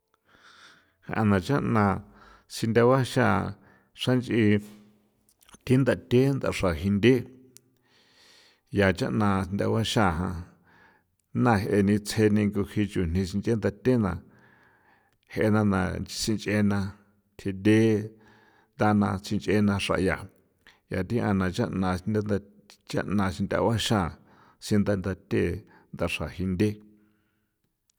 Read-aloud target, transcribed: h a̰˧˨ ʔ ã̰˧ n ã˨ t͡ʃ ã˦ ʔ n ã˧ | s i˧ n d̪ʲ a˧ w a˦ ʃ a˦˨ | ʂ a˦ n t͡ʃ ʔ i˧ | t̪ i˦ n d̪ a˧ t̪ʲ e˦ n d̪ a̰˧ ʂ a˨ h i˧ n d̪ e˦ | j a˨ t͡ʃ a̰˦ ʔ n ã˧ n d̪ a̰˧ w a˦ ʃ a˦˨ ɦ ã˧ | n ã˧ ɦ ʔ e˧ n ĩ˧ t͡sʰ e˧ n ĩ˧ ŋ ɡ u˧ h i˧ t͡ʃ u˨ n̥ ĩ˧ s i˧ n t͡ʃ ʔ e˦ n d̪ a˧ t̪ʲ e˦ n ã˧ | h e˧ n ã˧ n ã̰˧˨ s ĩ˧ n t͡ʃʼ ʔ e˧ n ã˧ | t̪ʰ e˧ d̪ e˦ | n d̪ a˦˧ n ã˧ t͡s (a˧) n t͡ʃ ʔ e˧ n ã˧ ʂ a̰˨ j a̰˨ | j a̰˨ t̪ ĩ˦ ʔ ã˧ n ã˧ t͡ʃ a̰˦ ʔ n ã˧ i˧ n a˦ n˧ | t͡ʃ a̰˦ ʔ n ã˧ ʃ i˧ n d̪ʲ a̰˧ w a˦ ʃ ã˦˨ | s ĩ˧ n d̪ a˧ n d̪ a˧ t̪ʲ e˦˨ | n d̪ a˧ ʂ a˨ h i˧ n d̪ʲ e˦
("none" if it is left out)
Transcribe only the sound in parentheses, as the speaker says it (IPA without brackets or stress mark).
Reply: i˧